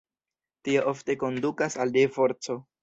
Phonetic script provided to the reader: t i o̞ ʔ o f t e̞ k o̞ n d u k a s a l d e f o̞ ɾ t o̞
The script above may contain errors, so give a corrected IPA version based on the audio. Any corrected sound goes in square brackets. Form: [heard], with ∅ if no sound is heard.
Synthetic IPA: t i o̞ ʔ o f t e̞ k o̞ n d u k a s a l d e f o̞ ɾ [t͡s] o̞